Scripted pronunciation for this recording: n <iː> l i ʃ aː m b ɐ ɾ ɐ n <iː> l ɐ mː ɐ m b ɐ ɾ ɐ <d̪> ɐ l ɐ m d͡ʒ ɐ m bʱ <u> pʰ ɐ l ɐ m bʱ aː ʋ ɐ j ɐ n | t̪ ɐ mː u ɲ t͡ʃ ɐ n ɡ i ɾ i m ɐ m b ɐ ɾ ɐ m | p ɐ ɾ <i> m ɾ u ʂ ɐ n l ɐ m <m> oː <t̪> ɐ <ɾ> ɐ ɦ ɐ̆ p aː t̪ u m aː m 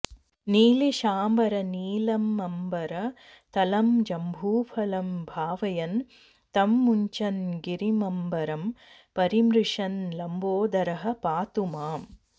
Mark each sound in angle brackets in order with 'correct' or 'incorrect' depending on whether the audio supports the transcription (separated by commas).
correct, correct, incorrect, incorrect, correct, incorrect, incorrect, correct